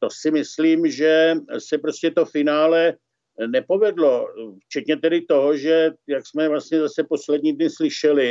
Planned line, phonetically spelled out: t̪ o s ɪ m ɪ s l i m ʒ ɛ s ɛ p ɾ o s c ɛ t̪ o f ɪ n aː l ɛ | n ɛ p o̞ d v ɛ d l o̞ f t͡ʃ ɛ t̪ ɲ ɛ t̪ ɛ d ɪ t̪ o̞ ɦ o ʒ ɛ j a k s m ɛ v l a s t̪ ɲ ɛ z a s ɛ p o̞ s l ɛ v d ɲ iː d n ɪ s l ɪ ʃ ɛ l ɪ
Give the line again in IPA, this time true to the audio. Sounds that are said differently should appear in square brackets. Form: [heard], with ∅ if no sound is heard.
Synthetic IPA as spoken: t̪ o s ɪ m ɪ s l [iː] m ʒ ɛ s ɛ p ɾ o s c ɛ t̪ o f ɪ n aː l ɛ | n ɛ p o̞ [∅] v ɛ d l o̞ f t͡ʃ ɛ t̪ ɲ ɛ t̪ ɛ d ɪ t̪ o̞ ɦ o ʒ ɛ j a k s m ɛ v l a s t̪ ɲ ɛ z a s ɛ p o̞ s l ɛ [∅] d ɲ iː d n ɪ s l ɪ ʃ ɛ l ɪ